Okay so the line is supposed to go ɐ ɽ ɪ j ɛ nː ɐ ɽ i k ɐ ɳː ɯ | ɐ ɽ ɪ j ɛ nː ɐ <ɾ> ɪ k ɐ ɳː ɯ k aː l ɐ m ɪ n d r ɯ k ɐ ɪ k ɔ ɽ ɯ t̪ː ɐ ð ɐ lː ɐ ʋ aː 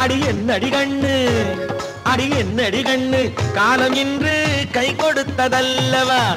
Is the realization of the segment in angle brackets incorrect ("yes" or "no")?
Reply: yes